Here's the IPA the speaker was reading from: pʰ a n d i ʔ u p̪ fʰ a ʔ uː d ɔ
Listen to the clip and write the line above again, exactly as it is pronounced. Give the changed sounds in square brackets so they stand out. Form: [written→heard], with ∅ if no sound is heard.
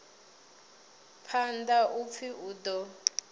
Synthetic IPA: pʰ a n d [i→a] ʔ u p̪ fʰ [a→i] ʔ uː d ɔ